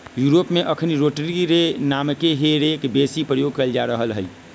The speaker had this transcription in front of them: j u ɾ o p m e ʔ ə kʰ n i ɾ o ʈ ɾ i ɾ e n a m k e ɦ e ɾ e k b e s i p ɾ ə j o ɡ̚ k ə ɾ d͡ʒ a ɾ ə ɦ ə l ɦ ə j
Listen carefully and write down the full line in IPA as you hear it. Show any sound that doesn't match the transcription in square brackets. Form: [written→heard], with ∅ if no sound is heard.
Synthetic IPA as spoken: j u ɾ o p m e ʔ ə kʰ n i ɾ o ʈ ɾ i ɾ e n a m k e ɦ e ɾ e k b e s i p ɾ ə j o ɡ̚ k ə [ɾ→l] d͡ʒ a ɾ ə ɦ ə l ɦ ə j

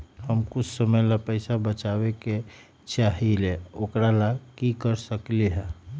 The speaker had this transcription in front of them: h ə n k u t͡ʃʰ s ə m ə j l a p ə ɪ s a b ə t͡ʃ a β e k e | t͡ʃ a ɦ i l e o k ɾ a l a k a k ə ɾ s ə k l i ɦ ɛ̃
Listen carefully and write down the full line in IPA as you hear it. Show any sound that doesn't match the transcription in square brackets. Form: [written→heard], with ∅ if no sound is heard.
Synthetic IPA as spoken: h ə [n→m] k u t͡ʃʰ s ə m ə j l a p ə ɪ s a b ə t͡ʃ a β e k e | t͡ʃ a ɦ i l e o k ɾ a l a k [a→i] k ə ɾ s ə k l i ɦ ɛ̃

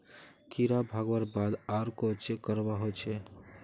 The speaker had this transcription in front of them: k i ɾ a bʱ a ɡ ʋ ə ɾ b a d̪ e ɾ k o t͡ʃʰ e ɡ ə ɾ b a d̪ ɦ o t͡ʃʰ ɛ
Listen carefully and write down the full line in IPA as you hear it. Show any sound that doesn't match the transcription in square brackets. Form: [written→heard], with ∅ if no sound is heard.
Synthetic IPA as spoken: k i ɾ a bʱ a ɡ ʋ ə ɾ b a d̪ [e→a] ɾ k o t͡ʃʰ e [ɡ→k] ə ɾ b a [d̪→∅] ɦ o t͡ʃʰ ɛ

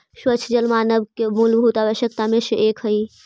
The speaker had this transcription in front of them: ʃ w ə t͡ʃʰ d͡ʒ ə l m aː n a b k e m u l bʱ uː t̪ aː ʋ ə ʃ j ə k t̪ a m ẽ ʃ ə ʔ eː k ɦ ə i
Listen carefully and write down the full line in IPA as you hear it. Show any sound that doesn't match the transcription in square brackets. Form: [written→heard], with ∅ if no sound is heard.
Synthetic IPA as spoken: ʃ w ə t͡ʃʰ d͡ʒ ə l m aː n [a→ə] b k e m u l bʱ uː t̪ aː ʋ ə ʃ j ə k t̪ a m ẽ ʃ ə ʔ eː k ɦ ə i

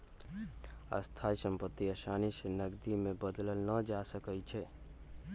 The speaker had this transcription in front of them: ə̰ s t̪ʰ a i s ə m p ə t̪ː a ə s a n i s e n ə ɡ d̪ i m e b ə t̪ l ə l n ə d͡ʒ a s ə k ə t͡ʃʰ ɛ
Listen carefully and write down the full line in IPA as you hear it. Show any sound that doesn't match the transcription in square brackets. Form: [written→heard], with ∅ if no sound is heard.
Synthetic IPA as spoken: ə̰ s t̪ʰ a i s ə m p ə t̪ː [a→i] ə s a n i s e n ə ɡ d̪ i m e b ə [t̪→d̪] l ə l n ə d͡ʒ a s ə k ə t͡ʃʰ ɛ

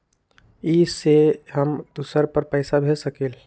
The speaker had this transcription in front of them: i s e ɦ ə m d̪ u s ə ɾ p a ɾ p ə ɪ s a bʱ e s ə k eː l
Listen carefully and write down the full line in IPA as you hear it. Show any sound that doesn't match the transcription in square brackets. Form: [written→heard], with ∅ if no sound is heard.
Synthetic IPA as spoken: i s e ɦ ə m d̪ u s ə ɾ p [a→ə] ɾ p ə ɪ s a bʱ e s ə k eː l

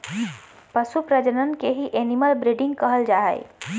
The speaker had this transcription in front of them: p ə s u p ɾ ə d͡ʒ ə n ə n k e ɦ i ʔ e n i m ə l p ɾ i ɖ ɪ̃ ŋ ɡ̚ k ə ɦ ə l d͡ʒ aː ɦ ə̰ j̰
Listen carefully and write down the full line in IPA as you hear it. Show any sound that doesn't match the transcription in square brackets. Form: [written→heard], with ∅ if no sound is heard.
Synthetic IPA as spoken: p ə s u p ɾ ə d͡ʒ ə n ə n k e ɦ i ʔ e n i m ə l [p→b] ɾ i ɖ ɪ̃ ŋ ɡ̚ k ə ɦ ə l d͡ʒ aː ɦ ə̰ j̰

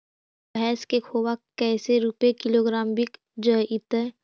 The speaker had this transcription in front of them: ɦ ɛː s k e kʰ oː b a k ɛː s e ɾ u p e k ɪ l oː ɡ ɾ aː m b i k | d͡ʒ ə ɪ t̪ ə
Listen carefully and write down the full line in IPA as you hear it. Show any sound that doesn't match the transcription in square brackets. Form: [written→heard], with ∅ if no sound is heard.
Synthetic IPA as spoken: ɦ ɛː s k e kʰ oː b a k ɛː s e ɾ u p e k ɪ l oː ɡ ɾ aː m b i k | d͡ʒ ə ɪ t̪ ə

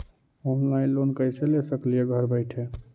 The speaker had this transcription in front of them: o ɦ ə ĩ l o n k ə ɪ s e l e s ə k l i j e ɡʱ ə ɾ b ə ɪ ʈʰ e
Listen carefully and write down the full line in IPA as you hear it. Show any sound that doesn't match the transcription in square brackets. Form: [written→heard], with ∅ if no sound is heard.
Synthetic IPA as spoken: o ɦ [ə→a] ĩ l o n k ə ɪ s e l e s ə k l i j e ɡʱ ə ɾ b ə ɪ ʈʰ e

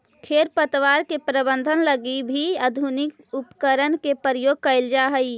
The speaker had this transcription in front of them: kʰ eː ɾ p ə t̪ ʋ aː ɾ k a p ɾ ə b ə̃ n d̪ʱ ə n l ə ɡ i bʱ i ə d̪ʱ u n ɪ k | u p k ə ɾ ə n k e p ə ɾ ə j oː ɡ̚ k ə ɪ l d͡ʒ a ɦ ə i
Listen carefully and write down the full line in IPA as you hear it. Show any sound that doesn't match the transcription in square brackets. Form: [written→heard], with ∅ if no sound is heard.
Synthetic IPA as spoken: kʰ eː ɾ p ə t̪ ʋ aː ɾ k [a→e] p ɾ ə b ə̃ n d̪ʱ ə n l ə ɡ i bʱ i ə d̪ʱ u n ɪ k | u p k ə ɾ ə n k e p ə ɾ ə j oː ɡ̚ k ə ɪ l d͡ʒ a ɦ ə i

